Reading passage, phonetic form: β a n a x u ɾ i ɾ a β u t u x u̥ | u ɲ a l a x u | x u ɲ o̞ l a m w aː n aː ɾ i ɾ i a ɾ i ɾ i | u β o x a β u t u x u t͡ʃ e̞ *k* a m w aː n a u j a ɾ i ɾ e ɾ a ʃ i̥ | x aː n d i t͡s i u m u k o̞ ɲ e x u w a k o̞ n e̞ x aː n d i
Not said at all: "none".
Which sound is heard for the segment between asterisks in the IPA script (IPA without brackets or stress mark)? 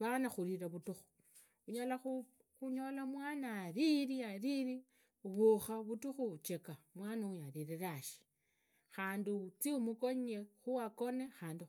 k